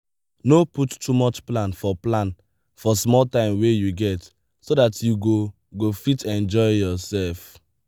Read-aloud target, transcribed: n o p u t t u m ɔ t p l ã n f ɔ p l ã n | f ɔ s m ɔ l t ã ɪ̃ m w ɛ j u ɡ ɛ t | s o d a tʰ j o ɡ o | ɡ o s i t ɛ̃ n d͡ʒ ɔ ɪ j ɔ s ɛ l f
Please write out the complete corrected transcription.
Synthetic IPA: n o p u t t u m ɔ t͡ʃ p l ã n f ɔ p l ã n | f ɔ s m ɔ l t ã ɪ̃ m w e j u ɡ ɛ t | s o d a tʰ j u ɡ o | ɡ o f i t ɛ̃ n d͡ʒ ɔ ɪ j ɔ s ɛ l f